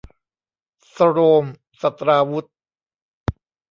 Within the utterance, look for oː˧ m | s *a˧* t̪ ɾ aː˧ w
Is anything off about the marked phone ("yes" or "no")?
yes